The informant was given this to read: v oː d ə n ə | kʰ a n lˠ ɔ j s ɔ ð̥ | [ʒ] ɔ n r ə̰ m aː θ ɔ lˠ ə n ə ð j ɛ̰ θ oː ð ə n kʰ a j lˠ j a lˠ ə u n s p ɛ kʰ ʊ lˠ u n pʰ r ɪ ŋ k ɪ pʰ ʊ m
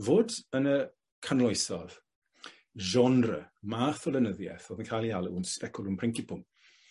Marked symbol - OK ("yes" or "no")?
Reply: yes